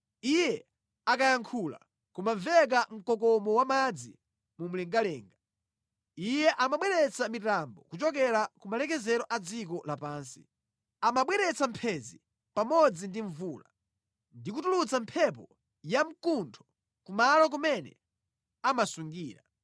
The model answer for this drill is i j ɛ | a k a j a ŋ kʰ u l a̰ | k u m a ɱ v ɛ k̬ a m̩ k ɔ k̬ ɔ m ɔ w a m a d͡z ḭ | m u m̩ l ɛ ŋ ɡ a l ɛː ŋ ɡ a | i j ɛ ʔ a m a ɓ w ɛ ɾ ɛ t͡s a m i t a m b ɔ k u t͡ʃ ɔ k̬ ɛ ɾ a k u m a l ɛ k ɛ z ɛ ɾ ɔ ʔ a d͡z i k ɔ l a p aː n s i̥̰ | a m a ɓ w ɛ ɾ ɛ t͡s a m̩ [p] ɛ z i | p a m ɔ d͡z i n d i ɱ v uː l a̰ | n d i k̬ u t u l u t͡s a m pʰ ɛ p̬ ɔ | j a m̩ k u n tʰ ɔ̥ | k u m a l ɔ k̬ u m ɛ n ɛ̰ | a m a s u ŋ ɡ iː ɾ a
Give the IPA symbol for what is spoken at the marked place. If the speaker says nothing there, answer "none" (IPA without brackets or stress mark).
pʰ